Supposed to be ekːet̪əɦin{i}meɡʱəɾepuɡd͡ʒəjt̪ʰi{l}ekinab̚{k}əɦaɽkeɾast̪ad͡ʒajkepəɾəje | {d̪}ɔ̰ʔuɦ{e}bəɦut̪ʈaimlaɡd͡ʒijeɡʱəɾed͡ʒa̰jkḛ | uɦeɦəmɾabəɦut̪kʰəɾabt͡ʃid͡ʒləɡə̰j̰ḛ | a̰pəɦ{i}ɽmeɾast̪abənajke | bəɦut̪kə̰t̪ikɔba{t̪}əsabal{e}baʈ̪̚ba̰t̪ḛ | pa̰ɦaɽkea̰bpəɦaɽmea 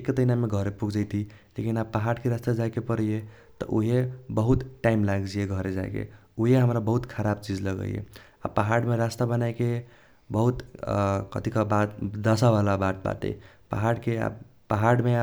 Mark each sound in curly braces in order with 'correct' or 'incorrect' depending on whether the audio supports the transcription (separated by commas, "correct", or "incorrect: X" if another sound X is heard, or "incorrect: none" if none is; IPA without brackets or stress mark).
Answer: incorrect: a, correct, incorrect: p, incorrect: t̪, correct, incorrect: a, incorrect: d̪, incorrect: a